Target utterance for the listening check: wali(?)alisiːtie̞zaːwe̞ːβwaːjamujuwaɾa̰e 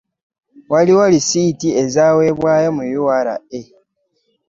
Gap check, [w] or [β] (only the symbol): w